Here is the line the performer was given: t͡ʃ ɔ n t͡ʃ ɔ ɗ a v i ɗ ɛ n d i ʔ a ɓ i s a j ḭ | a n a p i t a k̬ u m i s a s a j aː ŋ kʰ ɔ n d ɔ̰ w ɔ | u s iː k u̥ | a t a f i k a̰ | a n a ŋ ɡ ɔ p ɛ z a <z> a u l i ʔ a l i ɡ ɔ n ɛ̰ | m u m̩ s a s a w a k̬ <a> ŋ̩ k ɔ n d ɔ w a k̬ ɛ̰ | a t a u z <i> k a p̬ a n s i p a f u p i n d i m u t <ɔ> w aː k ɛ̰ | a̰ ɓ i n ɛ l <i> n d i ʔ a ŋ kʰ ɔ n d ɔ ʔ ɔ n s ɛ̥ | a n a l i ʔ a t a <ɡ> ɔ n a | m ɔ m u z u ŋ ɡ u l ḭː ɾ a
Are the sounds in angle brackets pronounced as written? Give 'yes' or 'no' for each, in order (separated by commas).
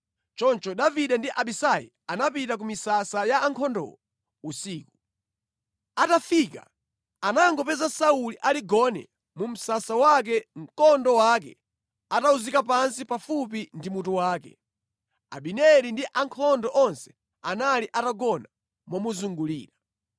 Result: no, no, yes, no, yes, yes